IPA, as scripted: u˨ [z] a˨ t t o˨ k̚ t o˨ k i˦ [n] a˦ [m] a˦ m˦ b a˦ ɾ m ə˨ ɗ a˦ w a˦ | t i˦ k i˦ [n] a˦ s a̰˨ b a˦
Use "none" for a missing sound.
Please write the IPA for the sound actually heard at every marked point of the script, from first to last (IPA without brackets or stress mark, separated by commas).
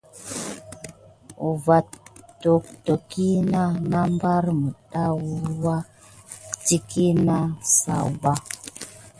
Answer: v, n, n, n